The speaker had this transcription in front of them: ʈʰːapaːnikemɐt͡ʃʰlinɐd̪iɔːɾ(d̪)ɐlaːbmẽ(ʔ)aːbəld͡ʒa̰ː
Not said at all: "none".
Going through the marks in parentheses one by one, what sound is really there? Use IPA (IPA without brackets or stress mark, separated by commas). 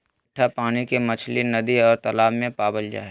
t̪, p